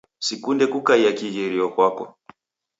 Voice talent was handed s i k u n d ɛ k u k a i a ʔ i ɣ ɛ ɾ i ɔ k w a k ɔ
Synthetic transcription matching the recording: s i k u n d ɛ k u k a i a k i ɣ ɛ ɾ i ɔ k w a k ɔ